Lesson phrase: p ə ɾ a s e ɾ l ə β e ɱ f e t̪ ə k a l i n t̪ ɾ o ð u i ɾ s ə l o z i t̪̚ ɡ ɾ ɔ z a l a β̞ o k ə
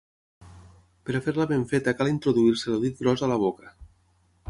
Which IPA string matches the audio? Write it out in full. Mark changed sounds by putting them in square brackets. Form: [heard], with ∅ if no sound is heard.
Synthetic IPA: p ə ɾ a [f] e ɾ l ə β e ɱ f e t̪ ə k a l i n t̪ ɾ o ð u i ɾ s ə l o [ð] i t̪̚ ɡ ɾ ɔ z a l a β̞ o k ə